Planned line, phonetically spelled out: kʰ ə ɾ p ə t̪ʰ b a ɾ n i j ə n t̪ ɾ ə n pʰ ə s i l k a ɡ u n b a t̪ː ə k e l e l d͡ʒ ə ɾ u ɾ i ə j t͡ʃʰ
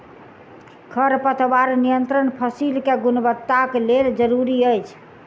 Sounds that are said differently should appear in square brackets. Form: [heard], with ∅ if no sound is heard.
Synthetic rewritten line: kʰ ə ɾ p ə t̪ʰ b a ɾ n i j ə n t̪ ɾ ə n pʰ ə s i l k [e] ɡ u n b [ə] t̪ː [a] k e l e l d͡ʒ ə ɾ u ɾ i ə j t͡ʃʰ

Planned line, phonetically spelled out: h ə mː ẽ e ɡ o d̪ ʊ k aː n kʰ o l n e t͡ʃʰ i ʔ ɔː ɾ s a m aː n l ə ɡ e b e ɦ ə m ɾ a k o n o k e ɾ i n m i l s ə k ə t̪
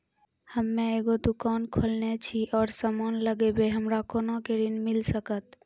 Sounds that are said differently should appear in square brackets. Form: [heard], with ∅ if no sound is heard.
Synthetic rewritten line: h ə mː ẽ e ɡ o d̪ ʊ k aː n kʰ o l n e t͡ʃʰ i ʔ ɔː ɾ s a m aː n l ə ɡ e b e ɦ ə m ɾ a k o n o k e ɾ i n m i l s ə k ə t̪

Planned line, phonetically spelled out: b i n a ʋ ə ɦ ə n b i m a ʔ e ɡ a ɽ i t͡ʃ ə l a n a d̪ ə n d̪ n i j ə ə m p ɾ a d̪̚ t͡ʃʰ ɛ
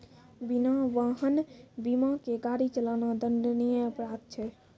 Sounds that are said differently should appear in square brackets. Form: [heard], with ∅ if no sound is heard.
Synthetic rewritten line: b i n a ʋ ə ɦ ə n b i m a [k] e ɡ a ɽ i t͡ʃ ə l a n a d̪ ə n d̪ n i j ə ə [∅] p ɾ a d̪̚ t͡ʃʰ ɛ

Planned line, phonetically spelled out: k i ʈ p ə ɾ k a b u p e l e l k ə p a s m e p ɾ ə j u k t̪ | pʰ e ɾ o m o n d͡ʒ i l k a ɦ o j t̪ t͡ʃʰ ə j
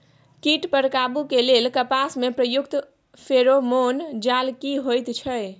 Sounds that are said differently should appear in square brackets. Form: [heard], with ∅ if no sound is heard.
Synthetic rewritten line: k i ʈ p ə ɾ k a b u [k] e l e l k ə p a s m e p ɾ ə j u k t̪ | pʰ e ɾ o m o n d͡ʒ [a] l k [i] ɦ o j t̪ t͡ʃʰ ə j

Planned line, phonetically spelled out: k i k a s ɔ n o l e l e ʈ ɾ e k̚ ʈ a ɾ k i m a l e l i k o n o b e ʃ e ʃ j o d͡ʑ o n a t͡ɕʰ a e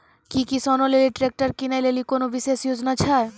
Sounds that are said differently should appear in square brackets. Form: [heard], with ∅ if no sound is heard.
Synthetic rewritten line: k i k [i] s ɔ n o l e l [i] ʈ ɾ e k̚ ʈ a ɾ k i [n] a l e l i k o n o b [i] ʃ e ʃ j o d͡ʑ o n a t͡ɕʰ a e

